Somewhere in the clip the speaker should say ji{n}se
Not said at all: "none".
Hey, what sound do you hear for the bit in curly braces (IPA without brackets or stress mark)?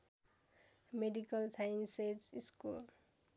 n